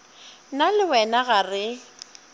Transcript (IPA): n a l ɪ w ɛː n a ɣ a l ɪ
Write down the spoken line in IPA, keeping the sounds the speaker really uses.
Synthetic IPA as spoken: n a l ɪ w ɛ n a ɣ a r ɪ